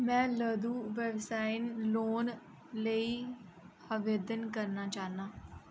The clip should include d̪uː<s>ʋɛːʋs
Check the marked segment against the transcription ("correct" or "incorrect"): incorrect